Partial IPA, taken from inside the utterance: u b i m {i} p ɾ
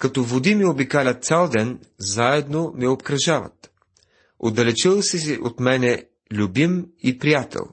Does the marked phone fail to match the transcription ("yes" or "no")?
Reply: no